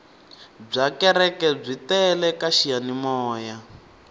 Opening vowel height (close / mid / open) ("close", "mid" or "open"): open